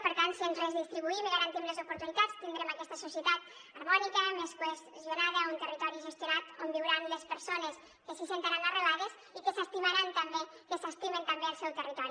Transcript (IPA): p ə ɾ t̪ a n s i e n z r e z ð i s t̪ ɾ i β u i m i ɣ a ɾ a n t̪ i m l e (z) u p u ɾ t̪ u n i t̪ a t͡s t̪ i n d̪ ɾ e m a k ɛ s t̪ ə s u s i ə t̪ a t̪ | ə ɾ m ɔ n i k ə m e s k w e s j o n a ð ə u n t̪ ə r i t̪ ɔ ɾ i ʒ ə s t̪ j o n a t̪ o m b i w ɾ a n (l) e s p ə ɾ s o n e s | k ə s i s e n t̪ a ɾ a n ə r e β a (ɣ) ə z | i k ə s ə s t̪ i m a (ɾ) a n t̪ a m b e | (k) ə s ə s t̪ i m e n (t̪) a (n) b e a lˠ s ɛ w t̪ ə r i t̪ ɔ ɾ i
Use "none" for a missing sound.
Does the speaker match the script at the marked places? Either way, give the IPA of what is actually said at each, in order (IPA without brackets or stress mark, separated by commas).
z, l, ð, ɾ, k, t̪, m